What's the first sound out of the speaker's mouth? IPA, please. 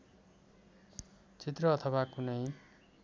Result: t͡s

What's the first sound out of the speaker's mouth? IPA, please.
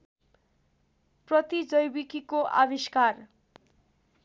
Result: p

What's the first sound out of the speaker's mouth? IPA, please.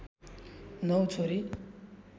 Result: n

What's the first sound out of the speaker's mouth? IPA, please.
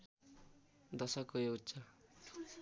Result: d̪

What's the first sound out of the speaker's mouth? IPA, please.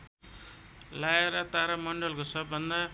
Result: l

